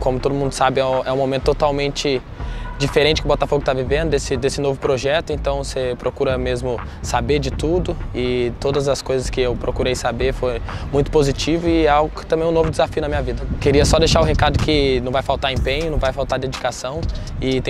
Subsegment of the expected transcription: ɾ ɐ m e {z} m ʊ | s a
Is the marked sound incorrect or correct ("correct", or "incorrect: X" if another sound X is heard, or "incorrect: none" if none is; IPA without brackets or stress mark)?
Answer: correct